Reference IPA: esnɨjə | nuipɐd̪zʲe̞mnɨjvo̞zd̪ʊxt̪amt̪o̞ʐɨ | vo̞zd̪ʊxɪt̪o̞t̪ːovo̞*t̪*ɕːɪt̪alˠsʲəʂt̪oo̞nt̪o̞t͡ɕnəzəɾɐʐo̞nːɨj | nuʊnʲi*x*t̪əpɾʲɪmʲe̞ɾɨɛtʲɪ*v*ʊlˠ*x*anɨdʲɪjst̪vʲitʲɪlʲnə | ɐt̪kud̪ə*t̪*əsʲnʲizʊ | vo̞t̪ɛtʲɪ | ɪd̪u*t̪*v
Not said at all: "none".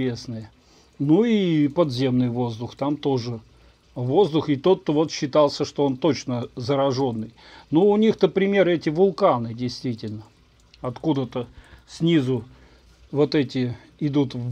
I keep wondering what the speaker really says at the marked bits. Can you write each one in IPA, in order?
t̪, x, v, k, t̪, t̪

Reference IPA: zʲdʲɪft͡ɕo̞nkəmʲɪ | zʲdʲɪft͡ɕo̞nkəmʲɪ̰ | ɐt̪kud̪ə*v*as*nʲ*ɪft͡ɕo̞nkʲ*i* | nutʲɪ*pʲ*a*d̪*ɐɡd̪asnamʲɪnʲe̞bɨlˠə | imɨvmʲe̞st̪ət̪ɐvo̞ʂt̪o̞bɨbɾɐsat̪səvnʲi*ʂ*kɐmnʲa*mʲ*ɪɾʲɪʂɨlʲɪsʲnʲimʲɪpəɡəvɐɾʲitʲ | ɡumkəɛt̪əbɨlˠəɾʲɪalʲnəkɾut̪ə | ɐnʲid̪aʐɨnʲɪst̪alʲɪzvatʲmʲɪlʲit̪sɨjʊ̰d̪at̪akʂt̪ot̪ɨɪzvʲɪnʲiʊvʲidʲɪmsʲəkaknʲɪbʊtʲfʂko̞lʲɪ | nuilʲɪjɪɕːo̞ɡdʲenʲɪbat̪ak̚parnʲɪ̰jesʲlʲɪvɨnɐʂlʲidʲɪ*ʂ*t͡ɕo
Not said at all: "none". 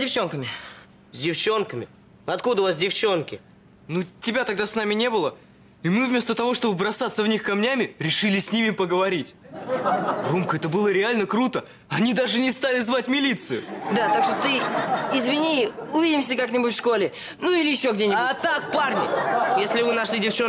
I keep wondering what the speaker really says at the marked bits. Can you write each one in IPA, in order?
v, dʲ, ɪ, bʲ, t̪, x, mʲ, f

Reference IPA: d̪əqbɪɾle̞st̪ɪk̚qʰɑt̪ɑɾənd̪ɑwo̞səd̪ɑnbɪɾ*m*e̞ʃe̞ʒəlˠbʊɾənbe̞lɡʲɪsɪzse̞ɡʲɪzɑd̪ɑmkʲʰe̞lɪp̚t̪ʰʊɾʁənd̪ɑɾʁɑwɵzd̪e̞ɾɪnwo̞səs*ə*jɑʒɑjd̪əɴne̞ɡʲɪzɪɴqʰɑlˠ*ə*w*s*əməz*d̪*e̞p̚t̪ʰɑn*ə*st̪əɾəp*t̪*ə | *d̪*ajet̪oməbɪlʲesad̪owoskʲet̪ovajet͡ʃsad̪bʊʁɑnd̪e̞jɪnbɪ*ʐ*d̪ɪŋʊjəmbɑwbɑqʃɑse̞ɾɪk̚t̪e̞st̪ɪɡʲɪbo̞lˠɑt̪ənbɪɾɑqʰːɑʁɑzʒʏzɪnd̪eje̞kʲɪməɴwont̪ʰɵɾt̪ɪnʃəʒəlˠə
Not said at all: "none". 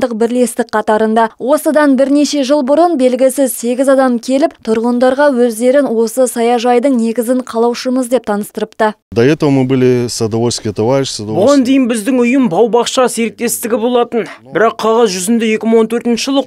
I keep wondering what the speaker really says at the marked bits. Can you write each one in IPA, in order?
n, ɑ, ɑ, ʃ, d̪, ə, t̪, d̪, z

